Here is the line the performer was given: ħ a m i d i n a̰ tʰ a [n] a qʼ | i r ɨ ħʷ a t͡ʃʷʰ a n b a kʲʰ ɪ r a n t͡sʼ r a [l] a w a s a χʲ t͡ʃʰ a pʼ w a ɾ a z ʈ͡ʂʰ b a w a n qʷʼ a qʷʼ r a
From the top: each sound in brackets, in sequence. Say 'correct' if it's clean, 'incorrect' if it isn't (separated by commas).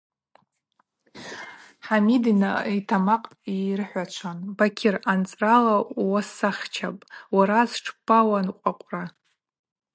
incorrect, correct